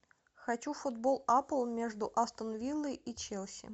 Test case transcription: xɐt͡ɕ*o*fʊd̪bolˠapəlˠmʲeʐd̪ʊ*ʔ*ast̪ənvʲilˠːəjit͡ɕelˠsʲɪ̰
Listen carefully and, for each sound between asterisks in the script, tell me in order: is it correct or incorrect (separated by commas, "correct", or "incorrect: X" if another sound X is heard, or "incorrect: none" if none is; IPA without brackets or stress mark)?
incorrect: u, correct